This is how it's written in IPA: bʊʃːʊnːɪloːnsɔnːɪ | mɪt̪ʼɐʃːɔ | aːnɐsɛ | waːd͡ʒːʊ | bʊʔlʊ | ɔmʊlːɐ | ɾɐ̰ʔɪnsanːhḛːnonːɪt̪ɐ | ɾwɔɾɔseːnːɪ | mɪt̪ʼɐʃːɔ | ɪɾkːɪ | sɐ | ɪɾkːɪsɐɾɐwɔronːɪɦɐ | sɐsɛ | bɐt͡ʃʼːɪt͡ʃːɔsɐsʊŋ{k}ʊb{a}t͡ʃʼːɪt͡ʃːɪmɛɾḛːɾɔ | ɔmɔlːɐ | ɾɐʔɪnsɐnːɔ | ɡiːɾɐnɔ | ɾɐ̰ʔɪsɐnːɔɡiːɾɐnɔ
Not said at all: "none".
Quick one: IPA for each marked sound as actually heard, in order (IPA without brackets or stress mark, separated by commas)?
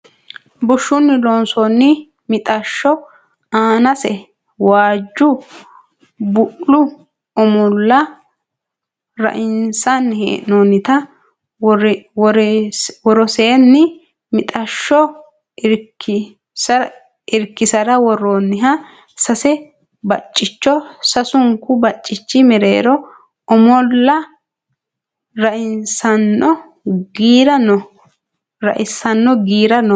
k, ɐ